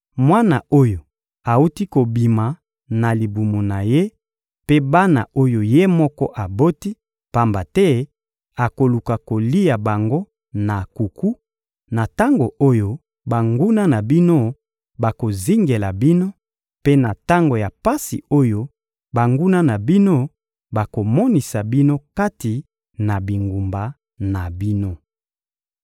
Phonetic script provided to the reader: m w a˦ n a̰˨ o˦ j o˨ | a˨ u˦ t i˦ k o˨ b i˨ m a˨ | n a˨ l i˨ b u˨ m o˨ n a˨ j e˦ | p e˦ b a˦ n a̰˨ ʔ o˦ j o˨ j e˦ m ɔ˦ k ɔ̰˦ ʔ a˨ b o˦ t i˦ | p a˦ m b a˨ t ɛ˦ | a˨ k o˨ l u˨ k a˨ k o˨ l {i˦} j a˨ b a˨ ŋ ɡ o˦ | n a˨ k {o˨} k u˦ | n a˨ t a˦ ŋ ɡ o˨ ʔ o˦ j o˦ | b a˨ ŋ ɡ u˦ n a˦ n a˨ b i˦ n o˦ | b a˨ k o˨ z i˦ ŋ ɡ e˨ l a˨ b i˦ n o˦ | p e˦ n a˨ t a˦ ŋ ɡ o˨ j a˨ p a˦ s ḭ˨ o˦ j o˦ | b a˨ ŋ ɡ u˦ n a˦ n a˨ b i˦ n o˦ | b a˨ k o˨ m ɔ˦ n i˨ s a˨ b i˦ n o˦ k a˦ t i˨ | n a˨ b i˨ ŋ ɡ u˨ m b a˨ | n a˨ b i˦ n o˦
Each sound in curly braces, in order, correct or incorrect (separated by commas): correct, incorrect